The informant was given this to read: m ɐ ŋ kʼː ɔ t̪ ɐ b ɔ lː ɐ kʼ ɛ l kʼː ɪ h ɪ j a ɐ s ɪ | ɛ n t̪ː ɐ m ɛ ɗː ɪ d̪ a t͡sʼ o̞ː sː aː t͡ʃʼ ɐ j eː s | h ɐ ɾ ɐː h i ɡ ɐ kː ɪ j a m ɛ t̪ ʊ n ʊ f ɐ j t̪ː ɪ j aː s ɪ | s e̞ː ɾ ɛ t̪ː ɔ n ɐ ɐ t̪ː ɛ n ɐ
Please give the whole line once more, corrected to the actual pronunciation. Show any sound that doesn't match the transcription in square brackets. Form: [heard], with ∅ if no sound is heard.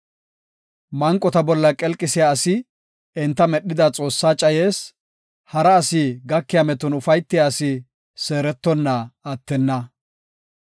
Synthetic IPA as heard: m ɐ ŋ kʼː ɔ t̪ ɐ b ɔ lː ɐ kʼ ɛ l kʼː ɪ [s] ɪ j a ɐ s ɪ | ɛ n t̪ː ɐ m ɛ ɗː ɪ d̪ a t͡sʼ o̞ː sː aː t͡ʃʼ ɐ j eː s | h ɐ ɾ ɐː [s] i ɡ ɐ kː ɪ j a m ɛ t̪ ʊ n ʊ f ɐ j t̪ː ɪ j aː s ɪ | s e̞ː ɾ ɛ t̪ː ɔ [nː] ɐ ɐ t̪ː ɛ [nː] ɐ